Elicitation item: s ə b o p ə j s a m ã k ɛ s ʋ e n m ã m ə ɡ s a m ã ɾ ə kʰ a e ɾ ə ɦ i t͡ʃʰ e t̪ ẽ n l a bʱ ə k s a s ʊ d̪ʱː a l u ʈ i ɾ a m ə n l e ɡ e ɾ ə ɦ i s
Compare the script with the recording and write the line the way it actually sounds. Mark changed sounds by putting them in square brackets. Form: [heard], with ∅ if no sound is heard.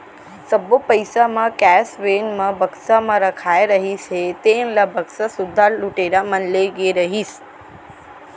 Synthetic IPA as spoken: s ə b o p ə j s a m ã k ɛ s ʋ e n m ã [b] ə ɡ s a m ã ɾ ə kʰ a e ɾ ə ɦ i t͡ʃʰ e t̪ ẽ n l a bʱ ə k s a s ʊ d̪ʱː a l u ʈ [e] ɾ a m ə n l e ɡ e ɾ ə ɦ i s

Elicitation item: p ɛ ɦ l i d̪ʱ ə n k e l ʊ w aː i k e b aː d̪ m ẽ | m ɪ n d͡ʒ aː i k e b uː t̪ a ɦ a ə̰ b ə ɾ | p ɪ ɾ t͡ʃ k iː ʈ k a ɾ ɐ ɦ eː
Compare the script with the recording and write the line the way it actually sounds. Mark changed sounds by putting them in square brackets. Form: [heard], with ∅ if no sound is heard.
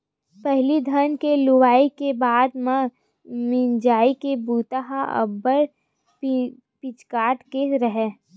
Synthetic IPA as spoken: p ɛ ɦ l i d̪ʱ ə n k e l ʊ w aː i k e b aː d̪ m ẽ | m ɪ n d͡ʒ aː i k e b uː t̪ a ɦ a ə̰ b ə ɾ | p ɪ [∅] t͡ʃ k [aː] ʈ k [e] ɾ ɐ ɦ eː

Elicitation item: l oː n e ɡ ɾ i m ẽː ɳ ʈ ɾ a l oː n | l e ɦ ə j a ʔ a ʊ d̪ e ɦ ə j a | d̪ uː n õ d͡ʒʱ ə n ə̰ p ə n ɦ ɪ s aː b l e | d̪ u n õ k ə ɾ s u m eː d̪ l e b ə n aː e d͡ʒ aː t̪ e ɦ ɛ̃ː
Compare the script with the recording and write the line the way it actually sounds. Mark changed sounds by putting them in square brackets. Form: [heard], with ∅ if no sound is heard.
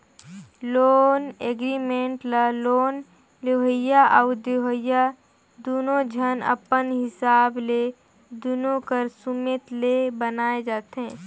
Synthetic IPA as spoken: l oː n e ɡ ɾ i m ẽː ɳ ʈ [l] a l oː n | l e ɦ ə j a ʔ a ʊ d̪ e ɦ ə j a | d̪ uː n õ d͡ʒʱ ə n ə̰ p ə n ɦ ɪ s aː b l e | d̪ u n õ k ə ɾ s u m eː [t̪] l e b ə n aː e d͡ʒ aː t̪ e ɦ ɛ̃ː

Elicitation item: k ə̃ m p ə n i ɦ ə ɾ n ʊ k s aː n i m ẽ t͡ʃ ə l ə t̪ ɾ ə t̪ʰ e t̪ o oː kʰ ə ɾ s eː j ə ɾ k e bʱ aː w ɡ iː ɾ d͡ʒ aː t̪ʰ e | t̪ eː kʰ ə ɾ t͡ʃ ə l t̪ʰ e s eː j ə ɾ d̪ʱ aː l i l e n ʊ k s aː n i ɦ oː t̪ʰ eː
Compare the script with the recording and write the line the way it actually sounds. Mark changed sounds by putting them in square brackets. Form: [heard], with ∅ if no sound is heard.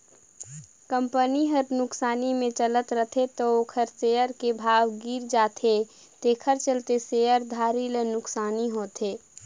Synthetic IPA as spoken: k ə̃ m p ə n i ɦ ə ɾ n ʊ k s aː n i m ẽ t͡ʃ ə l ə t̪ ɾ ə t̪ʰ e t̪ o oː kʰ ə ɾ s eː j ə ɾ k e bʱ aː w ɡ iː ɾ d͡ʒ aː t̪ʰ e | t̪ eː kʰ ə ɾ t͡ʃ ə l [t̪] e s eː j ə ɾ d̪ʱ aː [ɾ] i l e n ʊ k s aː n i ɦ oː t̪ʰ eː

